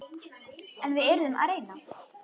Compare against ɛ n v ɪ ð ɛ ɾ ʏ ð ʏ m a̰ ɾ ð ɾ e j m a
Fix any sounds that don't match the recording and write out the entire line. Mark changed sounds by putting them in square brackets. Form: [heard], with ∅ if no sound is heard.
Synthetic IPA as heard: ɛ n v ɪ ð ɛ ɾ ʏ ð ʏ m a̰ [∅] ð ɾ e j [n] a